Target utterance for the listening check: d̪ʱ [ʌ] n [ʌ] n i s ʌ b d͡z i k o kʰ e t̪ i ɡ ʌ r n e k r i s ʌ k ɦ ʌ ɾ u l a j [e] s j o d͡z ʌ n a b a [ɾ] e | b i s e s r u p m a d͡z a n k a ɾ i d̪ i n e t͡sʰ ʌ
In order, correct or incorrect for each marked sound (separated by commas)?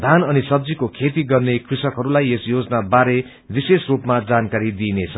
incorrect, correct, correct, correct